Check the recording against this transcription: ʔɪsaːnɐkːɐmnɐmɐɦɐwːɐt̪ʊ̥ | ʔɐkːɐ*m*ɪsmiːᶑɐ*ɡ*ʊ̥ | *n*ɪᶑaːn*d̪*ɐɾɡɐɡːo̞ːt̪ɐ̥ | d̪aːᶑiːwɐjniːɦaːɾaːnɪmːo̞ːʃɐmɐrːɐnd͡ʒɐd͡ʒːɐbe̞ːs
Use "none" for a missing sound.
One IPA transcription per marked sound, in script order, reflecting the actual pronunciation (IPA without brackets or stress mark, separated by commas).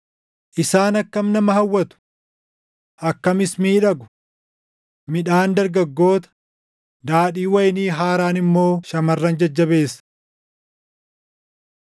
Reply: m, ɡ, m, d̪